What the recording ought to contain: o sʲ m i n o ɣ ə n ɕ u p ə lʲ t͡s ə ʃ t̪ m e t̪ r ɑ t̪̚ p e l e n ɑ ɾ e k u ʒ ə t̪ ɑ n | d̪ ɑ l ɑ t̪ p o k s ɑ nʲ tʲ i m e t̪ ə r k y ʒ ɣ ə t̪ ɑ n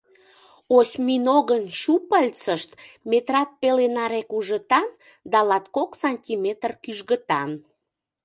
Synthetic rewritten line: o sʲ m i n o ɣ ə n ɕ u p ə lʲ t͡s ə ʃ t̪ m e t̪ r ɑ t̪̚ p e l e n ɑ ɾ e k u ʒ ə t̪ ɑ n | d̪ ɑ l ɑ t̪ k o k s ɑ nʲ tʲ i m e t̪ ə r k y ʒ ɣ ə t̪ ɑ n

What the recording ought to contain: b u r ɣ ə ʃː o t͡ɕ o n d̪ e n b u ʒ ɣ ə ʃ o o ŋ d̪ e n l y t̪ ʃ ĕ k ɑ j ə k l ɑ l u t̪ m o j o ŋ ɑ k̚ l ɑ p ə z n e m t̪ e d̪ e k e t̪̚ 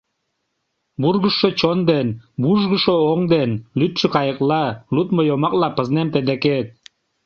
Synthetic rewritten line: b u r ɣ ə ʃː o t͡ɕ o n d̪ e n b u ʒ ɣ ə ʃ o o ŋ d̪ e n l y t̪ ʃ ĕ k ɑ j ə k l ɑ l u t̪ m o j o m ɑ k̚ l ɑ p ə z n e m t̪ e d̪ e k e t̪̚

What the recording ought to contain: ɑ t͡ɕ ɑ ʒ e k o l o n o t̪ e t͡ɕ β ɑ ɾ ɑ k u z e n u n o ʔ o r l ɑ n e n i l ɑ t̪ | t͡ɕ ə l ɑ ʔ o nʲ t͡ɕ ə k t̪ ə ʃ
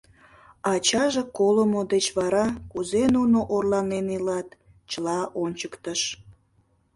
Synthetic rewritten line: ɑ t͡ɕ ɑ ʒ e k o l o m o d̪ e t͡ɕ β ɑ ɾ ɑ k u z e n u n o ʔ o r l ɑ n e n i l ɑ t̪ | t͡ɕ ə l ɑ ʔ o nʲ t͡ɕ ə k t̪ ə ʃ

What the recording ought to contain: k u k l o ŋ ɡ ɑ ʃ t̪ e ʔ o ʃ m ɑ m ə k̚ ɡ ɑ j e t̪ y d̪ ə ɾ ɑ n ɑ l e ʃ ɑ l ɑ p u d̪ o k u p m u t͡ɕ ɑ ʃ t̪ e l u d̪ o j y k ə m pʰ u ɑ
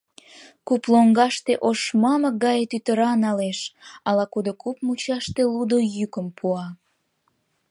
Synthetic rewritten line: k u p l o ŋ ɡ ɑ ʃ t̪ e ʔ o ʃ m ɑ m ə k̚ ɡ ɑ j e t̪ y t̪ ə ɾ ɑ n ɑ l e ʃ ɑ l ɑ k u d̪ o k u p m u t͡ɕ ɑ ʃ t̪ e l u d̪ o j y k ə m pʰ u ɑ

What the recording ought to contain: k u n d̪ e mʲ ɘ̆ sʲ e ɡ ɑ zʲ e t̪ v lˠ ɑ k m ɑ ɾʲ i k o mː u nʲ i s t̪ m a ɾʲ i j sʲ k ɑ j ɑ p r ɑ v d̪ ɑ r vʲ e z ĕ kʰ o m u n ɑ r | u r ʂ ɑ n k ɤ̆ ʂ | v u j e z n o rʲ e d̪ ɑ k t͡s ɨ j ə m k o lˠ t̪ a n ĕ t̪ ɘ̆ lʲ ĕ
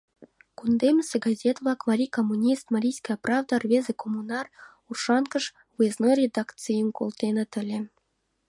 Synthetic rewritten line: k u n d̪ e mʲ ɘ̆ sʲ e ɡ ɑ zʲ e t̪ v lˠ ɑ k m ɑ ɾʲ i k o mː u nʲ i s t̪ m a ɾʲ i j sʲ k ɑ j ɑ p r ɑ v d̪ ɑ r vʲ e z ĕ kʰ o m u n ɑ r | u r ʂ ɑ n k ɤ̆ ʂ | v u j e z n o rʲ e d̪ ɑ k t͡s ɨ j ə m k o lˠ t̪ e n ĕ t̪ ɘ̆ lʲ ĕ

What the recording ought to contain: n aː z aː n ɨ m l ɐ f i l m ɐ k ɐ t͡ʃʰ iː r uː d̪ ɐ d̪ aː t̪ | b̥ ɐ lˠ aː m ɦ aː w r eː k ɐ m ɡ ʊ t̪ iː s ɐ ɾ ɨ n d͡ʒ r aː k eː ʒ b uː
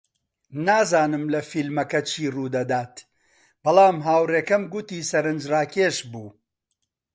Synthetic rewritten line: n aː z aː n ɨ m l ɐ f i l m ɐ k ɐ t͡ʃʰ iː r uː d̪ ɐ d̪ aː t̪ | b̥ ɐ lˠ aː m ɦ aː w r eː k ɐ m ɡ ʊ t̪ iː s ɐ ɾ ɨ n d͡ʒ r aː k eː ʃ b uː

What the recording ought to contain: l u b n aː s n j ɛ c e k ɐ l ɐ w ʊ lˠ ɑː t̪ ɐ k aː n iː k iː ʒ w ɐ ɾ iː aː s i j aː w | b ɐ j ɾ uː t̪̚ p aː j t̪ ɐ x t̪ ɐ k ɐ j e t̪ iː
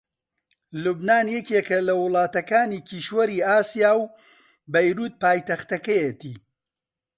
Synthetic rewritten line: l u b n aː n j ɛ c e k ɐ l ɐ w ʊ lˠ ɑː t̪ ɐ k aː n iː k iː ʃ w ɐ ɾ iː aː s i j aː w | b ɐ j ɾ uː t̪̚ p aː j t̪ ɐ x t̪ ɐ k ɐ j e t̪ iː

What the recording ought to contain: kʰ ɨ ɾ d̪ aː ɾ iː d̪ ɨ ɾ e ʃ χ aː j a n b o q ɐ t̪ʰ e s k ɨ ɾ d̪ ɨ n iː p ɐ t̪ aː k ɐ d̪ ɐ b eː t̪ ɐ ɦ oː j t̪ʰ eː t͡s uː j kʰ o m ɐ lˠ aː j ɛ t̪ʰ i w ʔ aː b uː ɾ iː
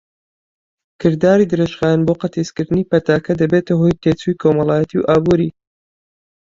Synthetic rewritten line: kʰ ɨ ɾ d̪ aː ɾ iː d̪ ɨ ɾ e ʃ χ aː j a n b o q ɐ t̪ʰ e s k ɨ ɾ d̪ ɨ n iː p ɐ t̪ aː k ɐ d̪ ɐ b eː t̪ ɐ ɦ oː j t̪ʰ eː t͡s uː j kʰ o m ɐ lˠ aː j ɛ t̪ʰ i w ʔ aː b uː ɾ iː

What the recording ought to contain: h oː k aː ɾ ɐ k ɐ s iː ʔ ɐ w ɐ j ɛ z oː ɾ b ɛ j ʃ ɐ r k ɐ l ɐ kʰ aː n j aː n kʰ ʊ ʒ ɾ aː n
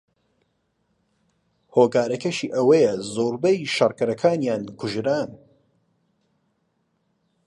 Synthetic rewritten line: h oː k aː ɾ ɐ k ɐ ʃ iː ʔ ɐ w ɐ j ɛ z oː ɾ b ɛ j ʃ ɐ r k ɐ ɾ ɐ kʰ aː n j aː n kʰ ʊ ʒ ɾ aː n

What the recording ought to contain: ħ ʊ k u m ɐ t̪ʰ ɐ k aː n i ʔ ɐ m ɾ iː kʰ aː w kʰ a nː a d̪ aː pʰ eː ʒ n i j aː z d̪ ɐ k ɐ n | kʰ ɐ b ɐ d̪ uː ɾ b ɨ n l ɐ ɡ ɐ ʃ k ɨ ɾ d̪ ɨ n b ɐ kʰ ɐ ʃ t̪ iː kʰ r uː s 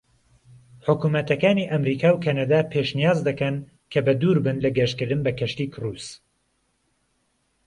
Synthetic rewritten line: ħ ʊ k u m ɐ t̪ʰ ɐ k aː n i ʔ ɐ m ɾ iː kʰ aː w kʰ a n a d̪ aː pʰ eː ʃ n i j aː z d̪ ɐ k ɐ n | kʰ ɐ b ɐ d̪ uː ɾ b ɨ n l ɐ ɡ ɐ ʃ k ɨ ɾ d̪ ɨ n b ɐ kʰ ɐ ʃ t̪ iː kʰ r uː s

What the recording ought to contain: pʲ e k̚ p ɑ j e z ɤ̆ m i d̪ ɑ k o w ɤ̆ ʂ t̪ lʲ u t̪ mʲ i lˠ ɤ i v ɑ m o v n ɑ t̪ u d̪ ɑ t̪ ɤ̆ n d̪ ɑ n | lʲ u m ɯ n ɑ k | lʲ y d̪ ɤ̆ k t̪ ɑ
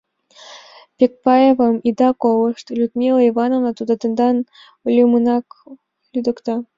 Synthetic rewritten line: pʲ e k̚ p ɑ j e v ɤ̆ m i d̪ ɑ k o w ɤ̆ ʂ t̪ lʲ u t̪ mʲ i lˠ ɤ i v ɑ n o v n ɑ t̪ u d̪ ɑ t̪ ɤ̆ n d̪ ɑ n | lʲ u m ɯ n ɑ k | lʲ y d̪ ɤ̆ k t̪ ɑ

